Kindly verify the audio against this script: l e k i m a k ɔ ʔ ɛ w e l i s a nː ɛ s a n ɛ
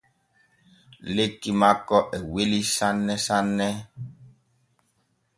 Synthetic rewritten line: l e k i m a k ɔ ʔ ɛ w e l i s a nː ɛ s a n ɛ